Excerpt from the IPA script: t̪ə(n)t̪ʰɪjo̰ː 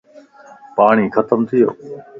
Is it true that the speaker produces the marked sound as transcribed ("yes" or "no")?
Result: no